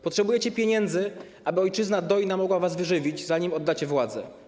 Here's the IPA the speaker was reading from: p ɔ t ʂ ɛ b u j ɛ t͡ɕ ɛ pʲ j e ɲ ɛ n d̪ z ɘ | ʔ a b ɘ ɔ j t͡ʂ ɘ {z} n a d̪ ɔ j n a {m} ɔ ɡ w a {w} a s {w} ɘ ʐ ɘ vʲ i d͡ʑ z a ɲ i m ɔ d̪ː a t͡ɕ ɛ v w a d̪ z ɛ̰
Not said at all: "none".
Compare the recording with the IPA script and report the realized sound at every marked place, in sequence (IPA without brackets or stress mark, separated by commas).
z, m, v, v